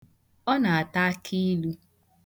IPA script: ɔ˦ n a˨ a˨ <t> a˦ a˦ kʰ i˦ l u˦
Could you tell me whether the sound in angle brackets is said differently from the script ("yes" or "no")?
no